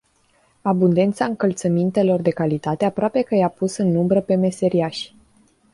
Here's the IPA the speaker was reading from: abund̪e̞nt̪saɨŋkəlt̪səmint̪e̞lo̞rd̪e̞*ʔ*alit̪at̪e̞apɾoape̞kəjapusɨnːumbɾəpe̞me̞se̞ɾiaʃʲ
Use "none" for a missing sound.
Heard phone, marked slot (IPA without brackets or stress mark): k